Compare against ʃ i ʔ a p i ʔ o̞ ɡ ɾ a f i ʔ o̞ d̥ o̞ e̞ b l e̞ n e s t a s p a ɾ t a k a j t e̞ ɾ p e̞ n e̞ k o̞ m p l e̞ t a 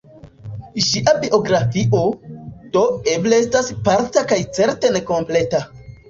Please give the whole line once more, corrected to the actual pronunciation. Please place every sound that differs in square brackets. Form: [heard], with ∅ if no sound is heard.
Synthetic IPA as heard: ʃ i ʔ a [b] i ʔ o̞ ɡ ɾ a f i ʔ o̞ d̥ o̞ e̞ b l e̞ [∅] e s t a s p a ɾ t a k a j [t͡s] e̞ ɾ [t] e̞ n e̞ k o̞ m p l e̞ t a

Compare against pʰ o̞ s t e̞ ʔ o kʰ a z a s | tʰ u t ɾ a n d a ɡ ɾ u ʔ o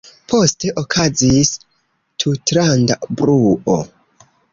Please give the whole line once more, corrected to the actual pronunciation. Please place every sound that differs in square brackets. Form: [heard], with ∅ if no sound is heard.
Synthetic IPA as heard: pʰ o̞ s t e̞ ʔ o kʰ a z [i] s | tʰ u t ɾ a n d a [b] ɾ u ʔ o

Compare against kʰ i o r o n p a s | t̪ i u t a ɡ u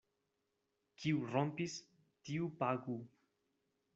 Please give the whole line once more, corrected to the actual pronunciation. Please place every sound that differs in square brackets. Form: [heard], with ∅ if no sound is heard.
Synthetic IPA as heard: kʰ i [u] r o [m] p [i] s | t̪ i u [p] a ɡ u

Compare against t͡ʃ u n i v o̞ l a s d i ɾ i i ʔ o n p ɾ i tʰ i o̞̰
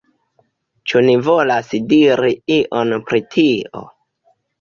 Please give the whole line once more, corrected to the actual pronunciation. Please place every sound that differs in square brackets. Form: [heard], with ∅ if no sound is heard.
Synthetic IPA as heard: t͡ʃ u n i v o̞ l a s d i ɾ i i ʔ o n p ɾ i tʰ i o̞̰

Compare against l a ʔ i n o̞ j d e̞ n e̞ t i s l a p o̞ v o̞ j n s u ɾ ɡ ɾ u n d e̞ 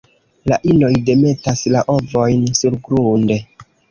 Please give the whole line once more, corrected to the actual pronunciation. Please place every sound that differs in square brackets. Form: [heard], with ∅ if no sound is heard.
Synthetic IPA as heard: l a ʔ i n o̞ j d e̞ [m] e̞ t [a] s l a [ʔ] o̞ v o̞ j n s u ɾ ɡ ɾ u n d e̞

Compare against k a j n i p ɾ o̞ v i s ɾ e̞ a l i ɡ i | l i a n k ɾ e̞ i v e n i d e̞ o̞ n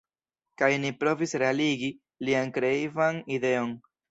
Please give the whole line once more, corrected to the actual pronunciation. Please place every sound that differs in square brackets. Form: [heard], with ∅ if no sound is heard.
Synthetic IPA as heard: k a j n i p ɾ o̞ v i s ɾ e̞ a l i ɡ i | l i a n k ɾ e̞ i v [a] n i d e̞ o̞ n

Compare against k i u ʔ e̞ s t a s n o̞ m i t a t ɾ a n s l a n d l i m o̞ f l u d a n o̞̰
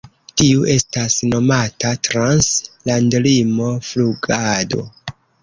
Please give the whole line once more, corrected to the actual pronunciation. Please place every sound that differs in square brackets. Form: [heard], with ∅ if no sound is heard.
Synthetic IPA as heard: [t] i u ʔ e̞ s t a s n o̞ m [a] t a t ɾ a n s l a n d l i m o̞ f l u [ɡ] a [d] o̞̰

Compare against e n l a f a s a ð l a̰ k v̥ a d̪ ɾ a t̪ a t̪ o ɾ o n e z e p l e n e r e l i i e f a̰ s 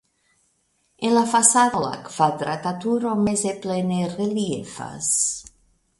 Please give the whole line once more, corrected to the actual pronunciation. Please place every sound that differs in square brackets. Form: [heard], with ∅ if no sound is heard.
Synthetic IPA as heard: e n l a f a s a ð l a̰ k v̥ a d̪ ɾ a t̪ a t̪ [u] ɾ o [m] e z e p l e n e r e l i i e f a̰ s

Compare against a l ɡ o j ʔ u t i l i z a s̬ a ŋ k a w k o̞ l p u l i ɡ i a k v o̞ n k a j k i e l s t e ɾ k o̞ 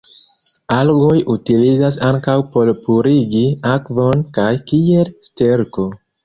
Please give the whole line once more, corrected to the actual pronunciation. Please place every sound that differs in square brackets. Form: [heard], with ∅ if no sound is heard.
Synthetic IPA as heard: a l ɡ o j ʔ u t i l i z a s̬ a ŋ k a w [p] o̞ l p u [ɾ] i ɡ i a k v o̞ n k a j k i e l s t e ɾ k o̞

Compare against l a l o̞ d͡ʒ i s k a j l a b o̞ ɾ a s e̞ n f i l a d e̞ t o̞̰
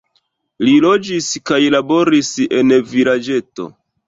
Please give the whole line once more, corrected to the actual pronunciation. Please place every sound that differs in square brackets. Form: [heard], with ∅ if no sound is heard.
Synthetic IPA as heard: l [i] l o̞ d͡ʒ i s k a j l a b o̞ ɾ [i] s e̞ n [v] i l a [d͡ʒ] e̞ t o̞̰

